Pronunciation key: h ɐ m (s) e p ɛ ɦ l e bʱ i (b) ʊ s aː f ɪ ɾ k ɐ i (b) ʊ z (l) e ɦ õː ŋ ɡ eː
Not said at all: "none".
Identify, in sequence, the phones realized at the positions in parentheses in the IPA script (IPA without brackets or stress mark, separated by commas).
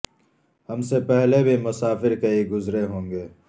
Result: s, m, ɡ, ɾ